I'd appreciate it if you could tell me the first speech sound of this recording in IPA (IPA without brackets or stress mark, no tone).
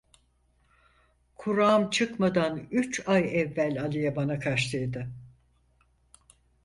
kʰ